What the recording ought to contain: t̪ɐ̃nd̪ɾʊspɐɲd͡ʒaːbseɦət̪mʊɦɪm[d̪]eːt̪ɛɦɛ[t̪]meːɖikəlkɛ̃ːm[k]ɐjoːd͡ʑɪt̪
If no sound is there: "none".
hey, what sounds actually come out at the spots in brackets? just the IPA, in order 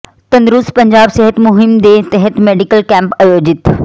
d̪, t̪, p

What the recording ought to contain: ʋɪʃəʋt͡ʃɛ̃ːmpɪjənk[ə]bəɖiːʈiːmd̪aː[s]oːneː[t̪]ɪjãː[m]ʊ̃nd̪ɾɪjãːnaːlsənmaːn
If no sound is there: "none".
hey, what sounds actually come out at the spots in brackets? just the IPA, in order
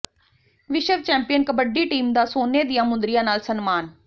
ə, s, d̪, m

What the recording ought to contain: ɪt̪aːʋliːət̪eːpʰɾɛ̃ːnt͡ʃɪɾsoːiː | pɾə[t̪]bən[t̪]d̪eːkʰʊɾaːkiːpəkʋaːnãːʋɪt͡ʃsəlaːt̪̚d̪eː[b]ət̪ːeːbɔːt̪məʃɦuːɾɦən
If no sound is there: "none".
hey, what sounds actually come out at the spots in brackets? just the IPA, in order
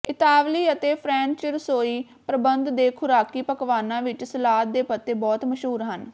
none, d̪, p

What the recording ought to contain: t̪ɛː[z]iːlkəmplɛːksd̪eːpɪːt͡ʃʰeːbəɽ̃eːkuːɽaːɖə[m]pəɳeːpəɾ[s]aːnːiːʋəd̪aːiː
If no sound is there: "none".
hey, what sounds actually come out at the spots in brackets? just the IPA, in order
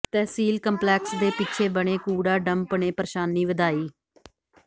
s, m, ʃ

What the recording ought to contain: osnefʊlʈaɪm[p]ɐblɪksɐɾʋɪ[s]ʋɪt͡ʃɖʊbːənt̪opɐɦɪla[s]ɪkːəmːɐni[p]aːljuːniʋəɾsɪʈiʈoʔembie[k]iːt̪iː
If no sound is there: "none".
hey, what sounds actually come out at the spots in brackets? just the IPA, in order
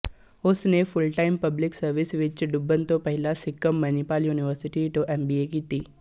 p, s, s, p, k

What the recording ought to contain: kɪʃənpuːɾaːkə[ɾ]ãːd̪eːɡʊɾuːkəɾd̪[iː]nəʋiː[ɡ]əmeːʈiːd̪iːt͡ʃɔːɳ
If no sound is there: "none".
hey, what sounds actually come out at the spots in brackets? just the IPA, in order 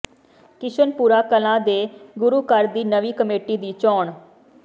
l, iː, k

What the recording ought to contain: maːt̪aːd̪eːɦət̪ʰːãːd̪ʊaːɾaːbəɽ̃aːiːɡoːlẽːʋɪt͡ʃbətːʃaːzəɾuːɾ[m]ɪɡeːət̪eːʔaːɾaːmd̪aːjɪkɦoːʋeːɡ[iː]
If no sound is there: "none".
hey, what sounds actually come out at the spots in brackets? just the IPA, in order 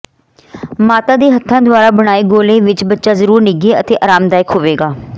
n, aː

